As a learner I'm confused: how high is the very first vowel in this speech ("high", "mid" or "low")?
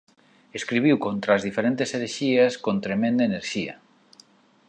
mid